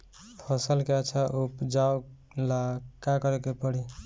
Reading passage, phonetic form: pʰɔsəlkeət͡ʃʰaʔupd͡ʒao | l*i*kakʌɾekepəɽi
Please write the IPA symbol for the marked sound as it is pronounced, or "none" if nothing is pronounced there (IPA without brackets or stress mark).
a